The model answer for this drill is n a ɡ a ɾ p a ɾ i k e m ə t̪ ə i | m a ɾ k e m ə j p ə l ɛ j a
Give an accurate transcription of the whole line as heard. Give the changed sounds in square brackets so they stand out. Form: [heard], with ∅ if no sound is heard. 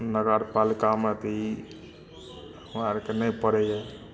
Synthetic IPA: n [ə] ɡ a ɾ p a [l] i k [a] m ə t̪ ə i | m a ɾ k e [n] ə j p ə [ɾ] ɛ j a